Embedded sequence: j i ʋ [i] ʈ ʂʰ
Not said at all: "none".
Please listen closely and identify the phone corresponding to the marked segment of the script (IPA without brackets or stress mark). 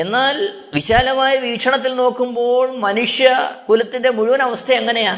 iː